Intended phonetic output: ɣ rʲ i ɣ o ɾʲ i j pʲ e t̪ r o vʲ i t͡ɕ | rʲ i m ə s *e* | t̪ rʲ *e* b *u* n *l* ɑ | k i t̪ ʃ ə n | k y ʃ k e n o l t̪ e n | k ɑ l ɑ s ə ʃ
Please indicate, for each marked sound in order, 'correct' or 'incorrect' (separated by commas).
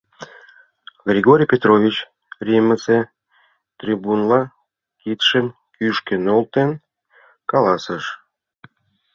correct, incorrect, correct, correct